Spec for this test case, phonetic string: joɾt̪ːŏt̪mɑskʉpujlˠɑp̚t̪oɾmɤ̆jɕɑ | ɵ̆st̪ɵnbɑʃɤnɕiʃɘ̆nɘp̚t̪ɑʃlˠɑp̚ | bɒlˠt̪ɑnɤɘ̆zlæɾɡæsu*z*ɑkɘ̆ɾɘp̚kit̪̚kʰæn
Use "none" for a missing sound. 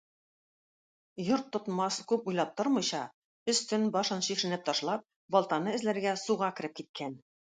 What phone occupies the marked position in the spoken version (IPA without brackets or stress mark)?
ʁ